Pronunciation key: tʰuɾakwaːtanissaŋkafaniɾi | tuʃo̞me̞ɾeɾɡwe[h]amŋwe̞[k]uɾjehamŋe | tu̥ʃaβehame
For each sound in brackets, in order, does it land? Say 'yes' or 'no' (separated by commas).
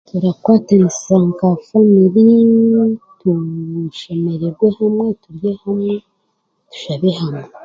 yes, no